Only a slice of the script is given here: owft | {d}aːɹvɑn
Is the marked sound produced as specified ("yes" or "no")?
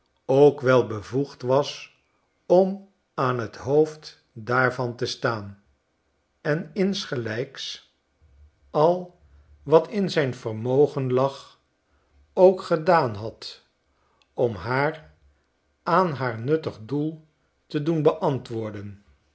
yes